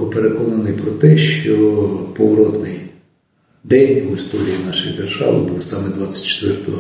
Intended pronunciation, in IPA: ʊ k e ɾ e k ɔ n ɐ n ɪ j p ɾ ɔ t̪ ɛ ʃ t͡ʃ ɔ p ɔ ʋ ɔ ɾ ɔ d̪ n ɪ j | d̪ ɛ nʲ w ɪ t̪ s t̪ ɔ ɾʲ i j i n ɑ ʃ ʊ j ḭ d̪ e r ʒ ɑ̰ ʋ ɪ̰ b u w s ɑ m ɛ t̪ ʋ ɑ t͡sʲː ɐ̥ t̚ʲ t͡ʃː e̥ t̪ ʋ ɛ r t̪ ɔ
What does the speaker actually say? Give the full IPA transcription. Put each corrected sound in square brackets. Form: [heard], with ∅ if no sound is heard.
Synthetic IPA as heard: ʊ [p] e ɾ e k ɔ n ɐ n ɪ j p ɾ ɔ t̪ ɛ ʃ t͡ʃ ɔ p ɔ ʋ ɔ ɾ ɔ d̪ n ɪ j | d̪ ɛ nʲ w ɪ [∅] s t̪ ɔ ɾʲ i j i n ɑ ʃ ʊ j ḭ d̪ e r ʒ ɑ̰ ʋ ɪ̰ b u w s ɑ m ɛ [d̪] ʋ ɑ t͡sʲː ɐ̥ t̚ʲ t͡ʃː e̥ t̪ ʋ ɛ r t̪ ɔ